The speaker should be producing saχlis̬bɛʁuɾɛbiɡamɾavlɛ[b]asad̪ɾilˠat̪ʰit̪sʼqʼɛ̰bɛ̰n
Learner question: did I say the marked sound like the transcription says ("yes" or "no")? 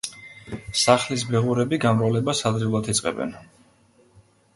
yes